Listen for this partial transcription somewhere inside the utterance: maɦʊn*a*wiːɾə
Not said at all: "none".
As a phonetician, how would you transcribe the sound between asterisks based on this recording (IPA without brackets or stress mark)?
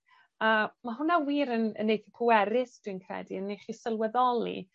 a